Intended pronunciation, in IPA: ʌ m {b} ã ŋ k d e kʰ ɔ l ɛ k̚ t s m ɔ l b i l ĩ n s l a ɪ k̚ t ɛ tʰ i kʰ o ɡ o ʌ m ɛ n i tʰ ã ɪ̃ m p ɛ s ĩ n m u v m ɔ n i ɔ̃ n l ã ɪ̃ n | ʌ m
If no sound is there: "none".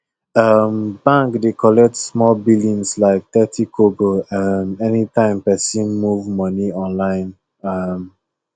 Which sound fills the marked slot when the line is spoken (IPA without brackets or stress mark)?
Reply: b